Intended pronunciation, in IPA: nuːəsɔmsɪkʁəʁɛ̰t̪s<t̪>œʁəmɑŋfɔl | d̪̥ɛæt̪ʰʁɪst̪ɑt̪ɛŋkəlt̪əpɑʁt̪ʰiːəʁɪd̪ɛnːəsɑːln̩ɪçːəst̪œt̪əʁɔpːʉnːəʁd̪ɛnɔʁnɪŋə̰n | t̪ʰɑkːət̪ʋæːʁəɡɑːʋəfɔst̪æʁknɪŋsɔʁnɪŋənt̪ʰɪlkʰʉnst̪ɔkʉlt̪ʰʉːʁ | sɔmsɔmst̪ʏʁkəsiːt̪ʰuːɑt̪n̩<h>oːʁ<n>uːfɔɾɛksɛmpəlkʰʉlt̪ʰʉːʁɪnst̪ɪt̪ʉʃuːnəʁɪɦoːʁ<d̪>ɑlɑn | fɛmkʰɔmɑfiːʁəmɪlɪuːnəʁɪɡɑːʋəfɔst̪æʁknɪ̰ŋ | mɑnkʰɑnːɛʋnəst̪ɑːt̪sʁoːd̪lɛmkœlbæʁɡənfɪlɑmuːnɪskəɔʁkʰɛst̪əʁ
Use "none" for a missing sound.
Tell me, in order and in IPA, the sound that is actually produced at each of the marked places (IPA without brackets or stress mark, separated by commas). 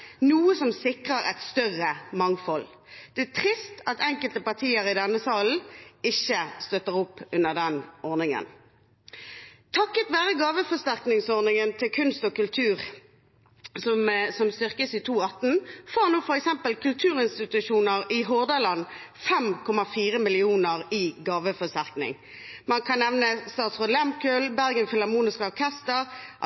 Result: t̪, f, n, d̪